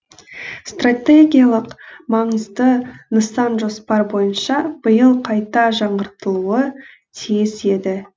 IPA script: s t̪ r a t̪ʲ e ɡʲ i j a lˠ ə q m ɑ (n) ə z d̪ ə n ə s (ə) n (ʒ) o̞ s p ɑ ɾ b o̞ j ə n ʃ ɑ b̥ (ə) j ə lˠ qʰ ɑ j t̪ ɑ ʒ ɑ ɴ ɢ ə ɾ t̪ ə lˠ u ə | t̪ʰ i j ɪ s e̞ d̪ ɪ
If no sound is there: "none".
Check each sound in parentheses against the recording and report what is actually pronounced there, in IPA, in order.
ɴ, ɑ, ʒ, ə

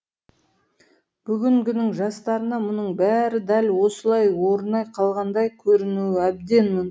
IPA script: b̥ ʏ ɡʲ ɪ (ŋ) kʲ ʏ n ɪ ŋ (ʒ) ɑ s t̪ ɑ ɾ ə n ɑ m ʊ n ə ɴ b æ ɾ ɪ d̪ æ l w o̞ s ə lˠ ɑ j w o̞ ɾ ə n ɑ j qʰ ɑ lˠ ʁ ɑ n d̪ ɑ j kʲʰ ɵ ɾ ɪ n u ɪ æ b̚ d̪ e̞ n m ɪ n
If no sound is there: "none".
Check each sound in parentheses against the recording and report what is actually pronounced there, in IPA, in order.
ŋ, ʒ

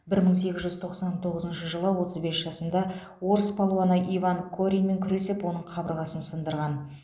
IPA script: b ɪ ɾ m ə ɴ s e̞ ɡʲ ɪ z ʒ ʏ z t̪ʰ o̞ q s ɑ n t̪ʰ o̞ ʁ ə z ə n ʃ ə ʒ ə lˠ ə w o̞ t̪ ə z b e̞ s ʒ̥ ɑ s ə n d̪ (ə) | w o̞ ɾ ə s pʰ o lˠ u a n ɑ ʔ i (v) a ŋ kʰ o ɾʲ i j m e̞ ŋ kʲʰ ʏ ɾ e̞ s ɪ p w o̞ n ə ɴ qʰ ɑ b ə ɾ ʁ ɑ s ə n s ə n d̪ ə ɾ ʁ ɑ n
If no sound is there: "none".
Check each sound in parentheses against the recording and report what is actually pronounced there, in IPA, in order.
ɑ, v

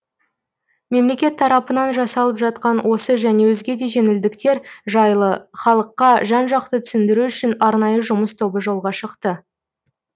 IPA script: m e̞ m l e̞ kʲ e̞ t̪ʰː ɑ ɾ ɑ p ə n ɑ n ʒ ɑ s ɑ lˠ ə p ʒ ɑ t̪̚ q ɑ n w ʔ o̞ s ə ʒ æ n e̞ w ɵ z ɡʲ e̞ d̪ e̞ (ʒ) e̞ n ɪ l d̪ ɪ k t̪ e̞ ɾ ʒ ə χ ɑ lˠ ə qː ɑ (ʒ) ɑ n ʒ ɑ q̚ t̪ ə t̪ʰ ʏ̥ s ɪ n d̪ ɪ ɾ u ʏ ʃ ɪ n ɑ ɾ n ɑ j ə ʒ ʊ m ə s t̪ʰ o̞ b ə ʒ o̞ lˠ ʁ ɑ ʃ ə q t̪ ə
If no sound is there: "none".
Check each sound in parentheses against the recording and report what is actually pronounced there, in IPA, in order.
ʒ, ʒ

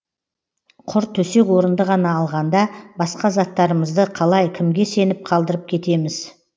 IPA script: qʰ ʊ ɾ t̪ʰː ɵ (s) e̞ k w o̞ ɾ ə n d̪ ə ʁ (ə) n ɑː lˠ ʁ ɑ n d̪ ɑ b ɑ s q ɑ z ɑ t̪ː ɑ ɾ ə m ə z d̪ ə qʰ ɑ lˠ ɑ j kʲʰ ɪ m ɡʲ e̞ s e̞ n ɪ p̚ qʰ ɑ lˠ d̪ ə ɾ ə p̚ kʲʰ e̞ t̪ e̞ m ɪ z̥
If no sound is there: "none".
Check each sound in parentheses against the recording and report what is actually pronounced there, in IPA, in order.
s, ɑ

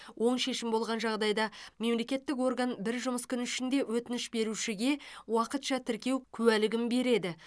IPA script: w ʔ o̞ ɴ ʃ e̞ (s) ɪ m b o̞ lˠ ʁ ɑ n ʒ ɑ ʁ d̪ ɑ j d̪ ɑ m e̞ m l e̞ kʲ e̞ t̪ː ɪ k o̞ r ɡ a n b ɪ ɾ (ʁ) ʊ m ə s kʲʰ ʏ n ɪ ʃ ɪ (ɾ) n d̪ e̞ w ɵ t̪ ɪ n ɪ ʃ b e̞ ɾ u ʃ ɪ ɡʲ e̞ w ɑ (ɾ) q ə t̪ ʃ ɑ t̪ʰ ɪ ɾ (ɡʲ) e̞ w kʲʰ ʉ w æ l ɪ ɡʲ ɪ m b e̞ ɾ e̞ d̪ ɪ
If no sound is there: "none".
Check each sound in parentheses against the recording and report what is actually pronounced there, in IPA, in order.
ʃ, ʒ, none, none, kʲ

